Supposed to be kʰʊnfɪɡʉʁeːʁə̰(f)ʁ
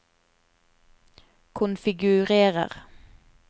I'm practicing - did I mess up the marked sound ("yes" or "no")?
yes